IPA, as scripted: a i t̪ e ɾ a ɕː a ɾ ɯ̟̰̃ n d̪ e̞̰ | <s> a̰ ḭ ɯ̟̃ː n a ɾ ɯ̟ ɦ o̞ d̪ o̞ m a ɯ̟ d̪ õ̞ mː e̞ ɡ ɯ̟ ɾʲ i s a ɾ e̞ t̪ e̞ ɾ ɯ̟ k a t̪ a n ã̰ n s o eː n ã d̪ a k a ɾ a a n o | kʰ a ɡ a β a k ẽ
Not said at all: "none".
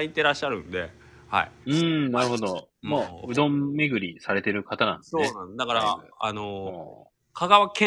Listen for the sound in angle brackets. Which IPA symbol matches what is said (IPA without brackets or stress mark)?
h